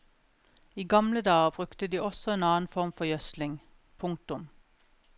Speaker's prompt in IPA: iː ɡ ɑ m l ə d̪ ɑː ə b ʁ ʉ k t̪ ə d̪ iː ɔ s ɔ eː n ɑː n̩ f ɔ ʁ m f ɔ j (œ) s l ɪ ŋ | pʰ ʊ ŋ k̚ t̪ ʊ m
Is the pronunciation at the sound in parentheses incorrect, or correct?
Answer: correct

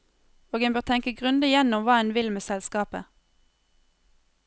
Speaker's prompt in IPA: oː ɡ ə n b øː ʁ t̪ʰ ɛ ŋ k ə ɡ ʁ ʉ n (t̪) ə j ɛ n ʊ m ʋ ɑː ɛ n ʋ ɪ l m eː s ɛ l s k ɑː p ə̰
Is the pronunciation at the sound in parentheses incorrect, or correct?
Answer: incorrect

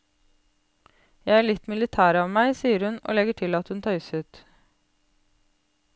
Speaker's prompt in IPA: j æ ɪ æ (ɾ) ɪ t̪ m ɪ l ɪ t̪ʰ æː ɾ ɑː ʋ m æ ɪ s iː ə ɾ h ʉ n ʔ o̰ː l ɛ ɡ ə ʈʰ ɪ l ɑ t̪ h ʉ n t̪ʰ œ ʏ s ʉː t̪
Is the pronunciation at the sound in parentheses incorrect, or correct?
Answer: incorrect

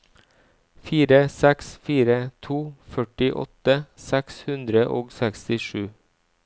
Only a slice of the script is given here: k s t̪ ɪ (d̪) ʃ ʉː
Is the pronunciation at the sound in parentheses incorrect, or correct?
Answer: incorrect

